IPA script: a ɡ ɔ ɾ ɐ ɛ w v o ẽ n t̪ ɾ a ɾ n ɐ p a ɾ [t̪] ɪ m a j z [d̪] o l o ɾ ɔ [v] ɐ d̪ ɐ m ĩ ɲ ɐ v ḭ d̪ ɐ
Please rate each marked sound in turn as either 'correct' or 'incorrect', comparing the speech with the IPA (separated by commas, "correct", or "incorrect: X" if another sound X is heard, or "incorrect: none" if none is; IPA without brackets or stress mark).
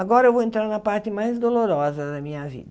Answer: correct, correct, incorrect: z